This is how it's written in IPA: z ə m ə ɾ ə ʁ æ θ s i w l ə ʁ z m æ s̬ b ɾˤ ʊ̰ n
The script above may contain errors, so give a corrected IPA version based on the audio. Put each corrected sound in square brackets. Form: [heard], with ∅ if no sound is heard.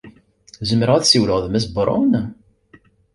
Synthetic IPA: z ə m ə ɾ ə ʁ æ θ s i w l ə ʁ [ð] m æ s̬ b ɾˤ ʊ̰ n